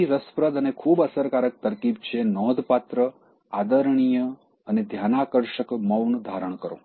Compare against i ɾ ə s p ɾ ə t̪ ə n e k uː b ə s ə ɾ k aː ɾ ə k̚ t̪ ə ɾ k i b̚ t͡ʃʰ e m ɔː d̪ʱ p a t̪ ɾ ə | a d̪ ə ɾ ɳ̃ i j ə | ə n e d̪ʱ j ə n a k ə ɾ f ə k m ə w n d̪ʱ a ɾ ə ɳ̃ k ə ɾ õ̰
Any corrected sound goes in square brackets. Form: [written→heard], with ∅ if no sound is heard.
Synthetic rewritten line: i ɾ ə s p ɾ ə [t̪→d̪] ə n e [k→kʰ] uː b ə s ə ɾ k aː ɾ ə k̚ t̪ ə ɾ k i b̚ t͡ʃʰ e [m→n] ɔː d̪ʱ p a t̪ ɾ ə | a d̪ ə ɾ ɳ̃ i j ə | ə n e d̪ʱ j [ə→a] n a k ə ɾ [f→ʃ] ə k m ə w n d̪ʱ a ɾ ə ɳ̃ k ə ɾ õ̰